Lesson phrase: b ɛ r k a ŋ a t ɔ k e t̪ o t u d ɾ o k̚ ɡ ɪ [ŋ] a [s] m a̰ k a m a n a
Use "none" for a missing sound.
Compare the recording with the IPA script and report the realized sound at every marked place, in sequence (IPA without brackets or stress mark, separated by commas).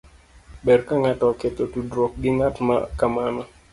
ŋ, t